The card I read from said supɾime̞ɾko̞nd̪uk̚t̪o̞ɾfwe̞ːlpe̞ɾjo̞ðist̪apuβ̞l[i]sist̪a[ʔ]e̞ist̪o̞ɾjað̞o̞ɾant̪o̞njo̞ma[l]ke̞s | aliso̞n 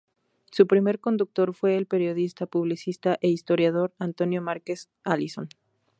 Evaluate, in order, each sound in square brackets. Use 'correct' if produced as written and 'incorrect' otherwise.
correct, correct, incorrect: ɾ

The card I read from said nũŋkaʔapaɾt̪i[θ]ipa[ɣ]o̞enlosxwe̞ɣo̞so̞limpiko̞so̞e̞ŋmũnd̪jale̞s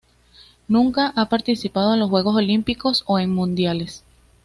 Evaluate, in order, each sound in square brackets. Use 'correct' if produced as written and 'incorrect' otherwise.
incorrect: s, incorrect: ð

